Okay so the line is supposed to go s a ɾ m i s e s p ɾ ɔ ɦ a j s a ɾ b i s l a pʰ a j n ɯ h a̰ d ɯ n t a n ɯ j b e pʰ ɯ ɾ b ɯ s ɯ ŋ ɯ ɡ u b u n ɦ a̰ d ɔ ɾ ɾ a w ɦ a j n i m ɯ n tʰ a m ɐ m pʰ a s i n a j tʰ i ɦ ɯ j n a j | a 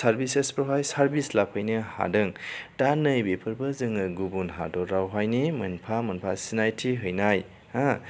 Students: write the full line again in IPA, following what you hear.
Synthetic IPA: s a ɾ b i s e s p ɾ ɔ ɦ a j s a ɾ b i s l a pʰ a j n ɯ h a̰ d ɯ ŋ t a n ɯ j b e pʰ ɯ ɾ b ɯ z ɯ ŋ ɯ ɡ u b u n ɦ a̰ d ɔ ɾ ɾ a w ɦ a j n i m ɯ n pʰ a m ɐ n pʰ a s i n a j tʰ i ɦ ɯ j n a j | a